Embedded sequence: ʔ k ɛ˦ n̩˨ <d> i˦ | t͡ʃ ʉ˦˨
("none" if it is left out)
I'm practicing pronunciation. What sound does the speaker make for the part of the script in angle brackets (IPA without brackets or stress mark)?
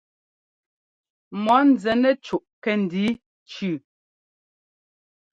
d